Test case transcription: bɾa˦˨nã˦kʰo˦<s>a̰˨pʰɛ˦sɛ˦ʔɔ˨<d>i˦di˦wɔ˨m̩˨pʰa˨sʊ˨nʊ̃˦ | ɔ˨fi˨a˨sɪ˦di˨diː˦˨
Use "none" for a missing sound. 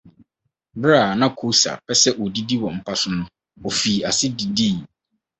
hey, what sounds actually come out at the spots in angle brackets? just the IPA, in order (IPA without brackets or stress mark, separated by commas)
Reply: s, d